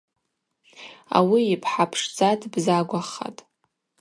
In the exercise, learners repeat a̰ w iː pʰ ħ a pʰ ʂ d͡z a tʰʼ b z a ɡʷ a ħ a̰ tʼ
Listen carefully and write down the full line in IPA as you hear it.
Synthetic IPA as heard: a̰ w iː pʰ ħ a pʰ ʂ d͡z a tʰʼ b z a ɡʷ a χ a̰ tʼ